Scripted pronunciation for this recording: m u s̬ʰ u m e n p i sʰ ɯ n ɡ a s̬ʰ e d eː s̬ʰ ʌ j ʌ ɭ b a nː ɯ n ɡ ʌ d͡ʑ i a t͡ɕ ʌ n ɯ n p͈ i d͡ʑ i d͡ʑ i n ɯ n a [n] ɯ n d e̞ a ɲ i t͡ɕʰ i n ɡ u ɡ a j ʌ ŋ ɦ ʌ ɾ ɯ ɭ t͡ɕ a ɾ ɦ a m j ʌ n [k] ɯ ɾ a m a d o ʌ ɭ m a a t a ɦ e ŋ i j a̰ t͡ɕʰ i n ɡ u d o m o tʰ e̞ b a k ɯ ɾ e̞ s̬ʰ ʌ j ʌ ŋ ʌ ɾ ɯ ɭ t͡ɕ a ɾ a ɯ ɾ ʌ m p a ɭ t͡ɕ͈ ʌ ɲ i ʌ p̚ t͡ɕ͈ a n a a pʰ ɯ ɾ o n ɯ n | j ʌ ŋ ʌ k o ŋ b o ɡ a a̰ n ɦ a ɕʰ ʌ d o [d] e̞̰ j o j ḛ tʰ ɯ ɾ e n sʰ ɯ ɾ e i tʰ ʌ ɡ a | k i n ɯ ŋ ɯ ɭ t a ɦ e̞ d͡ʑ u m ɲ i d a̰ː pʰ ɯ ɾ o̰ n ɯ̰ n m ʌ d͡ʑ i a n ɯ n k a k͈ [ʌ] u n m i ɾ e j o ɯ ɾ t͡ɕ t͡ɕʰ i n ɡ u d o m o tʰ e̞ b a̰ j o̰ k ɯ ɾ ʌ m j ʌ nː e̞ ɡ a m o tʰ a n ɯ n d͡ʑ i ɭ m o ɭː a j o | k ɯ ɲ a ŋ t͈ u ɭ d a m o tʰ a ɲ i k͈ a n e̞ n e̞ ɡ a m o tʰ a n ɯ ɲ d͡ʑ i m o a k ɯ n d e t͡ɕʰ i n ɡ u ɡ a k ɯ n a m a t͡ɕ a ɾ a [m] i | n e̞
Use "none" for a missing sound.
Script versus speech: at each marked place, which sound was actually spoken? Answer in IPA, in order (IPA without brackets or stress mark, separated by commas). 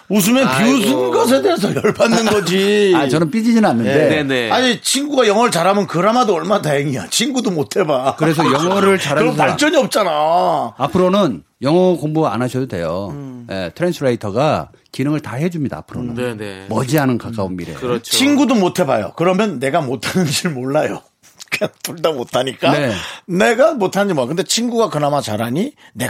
nː, k, d, a, ɲ